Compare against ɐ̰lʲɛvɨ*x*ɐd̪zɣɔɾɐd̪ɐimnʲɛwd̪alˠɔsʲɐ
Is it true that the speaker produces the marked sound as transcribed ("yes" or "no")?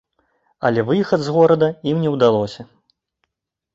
yes